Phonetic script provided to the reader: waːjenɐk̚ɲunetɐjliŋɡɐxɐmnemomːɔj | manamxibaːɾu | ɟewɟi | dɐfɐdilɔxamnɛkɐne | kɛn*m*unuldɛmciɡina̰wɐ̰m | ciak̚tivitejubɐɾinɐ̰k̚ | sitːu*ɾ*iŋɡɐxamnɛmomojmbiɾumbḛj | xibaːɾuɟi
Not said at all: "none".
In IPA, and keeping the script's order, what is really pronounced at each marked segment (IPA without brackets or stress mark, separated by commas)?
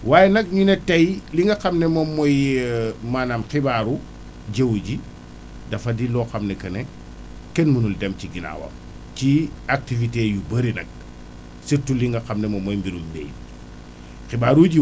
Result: m, l